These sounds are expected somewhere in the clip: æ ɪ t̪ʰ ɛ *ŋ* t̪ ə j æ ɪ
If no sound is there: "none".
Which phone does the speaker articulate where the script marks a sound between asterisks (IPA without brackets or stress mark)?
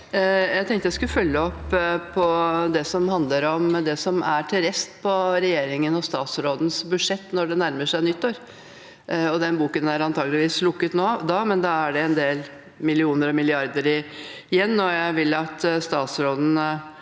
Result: ŋ